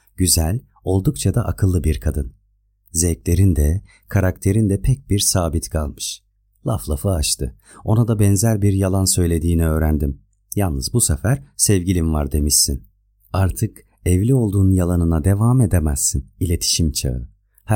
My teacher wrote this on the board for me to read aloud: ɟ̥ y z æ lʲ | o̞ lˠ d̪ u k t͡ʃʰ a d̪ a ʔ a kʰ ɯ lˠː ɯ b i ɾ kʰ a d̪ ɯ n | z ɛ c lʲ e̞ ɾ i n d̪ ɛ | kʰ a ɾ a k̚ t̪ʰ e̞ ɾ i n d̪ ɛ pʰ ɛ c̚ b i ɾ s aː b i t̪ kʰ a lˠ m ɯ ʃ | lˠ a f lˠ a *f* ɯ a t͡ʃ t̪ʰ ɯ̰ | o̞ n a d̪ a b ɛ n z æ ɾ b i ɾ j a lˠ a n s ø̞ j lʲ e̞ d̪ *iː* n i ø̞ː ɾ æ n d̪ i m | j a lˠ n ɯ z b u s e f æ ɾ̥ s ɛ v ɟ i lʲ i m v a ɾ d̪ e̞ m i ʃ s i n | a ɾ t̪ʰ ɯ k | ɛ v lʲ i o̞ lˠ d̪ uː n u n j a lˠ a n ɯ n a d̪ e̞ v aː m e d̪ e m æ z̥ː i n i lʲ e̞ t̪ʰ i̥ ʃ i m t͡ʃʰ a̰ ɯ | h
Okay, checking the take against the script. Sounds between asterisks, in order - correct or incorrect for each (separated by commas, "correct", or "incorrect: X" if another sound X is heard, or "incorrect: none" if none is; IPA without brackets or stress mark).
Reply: correct, correct